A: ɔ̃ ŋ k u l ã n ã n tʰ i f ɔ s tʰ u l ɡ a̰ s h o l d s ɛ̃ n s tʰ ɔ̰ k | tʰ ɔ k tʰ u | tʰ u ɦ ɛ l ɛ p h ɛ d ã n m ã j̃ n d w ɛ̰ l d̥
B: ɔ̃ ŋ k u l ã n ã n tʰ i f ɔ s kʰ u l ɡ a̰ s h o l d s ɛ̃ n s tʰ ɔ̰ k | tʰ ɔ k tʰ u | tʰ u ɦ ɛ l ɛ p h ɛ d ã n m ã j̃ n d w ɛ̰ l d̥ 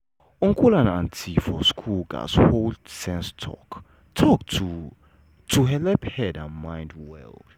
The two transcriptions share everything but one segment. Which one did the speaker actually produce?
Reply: B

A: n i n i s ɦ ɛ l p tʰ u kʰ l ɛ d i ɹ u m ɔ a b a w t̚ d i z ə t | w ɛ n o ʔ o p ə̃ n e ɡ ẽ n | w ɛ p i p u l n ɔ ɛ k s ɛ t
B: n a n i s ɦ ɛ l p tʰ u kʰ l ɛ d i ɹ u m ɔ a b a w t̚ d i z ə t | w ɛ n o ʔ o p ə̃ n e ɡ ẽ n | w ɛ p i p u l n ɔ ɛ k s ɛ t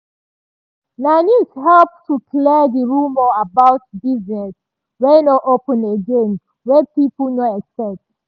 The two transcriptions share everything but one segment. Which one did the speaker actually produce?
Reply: B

